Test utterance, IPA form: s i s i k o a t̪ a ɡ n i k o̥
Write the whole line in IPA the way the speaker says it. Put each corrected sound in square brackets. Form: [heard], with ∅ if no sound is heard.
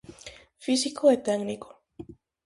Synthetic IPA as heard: [f] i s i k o [e] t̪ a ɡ n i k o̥